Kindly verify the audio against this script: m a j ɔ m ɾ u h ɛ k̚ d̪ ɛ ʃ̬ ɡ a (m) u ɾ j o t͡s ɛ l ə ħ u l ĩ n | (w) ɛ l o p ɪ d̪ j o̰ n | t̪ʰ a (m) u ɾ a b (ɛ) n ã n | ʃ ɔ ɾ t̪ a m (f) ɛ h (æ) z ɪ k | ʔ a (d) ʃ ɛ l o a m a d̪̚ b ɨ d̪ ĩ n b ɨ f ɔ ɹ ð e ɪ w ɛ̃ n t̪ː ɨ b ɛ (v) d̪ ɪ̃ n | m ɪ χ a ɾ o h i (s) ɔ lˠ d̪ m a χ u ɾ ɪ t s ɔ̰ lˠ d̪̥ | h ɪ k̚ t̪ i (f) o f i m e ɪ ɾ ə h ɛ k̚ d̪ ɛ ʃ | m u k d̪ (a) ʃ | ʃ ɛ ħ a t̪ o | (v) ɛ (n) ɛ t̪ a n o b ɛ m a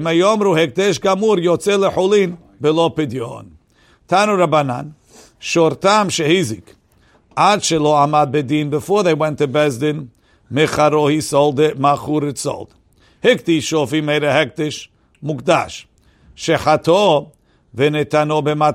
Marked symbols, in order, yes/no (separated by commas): yes, no, no, no, no, no, yes, no, yes, no, yes, yes, yes